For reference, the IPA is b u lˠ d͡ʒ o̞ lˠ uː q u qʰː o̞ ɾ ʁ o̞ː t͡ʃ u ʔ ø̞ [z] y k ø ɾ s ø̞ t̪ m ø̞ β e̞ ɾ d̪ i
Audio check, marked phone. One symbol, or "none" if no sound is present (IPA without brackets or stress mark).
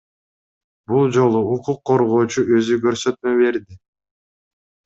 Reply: z